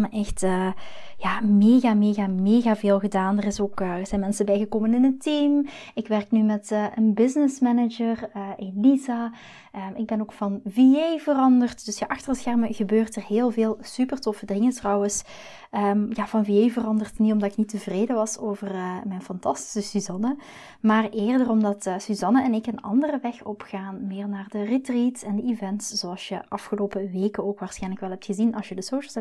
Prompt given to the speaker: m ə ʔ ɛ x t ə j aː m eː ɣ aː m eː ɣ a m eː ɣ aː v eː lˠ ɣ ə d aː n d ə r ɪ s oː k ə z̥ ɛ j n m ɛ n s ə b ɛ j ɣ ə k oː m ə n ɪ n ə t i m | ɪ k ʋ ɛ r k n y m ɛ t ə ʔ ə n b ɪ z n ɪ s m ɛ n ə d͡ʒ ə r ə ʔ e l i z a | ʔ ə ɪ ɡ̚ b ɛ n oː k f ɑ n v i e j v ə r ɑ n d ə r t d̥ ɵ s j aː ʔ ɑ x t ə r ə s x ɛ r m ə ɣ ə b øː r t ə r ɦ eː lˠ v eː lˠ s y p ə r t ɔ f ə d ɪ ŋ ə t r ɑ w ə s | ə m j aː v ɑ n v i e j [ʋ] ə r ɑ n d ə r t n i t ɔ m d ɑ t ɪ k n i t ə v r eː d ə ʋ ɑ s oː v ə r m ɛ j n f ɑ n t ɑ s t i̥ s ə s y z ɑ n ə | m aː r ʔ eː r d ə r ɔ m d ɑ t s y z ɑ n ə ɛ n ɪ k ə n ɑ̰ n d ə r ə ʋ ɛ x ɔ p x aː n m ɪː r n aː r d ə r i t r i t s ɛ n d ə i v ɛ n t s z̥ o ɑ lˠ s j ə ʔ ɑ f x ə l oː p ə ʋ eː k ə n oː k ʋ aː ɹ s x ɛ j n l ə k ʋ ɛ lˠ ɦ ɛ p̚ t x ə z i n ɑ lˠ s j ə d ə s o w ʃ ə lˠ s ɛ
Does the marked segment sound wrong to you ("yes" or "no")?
yes